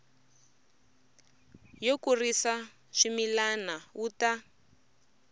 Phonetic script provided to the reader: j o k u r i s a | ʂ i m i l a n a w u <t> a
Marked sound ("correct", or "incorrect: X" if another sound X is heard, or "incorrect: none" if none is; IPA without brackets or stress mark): correct